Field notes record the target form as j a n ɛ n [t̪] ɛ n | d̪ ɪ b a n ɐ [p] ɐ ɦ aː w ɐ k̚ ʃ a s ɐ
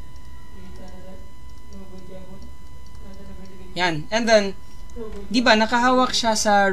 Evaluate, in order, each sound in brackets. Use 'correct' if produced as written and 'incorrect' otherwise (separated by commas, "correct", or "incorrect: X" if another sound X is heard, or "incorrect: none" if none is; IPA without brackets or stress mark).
incorrect: d̪, incorrect: k